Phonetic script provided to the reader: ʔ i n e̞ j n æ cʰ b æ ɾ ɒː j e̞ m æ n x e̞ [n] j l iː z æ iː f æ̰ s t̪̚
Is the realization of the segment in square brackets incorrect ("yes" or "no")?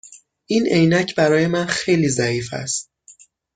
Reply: yes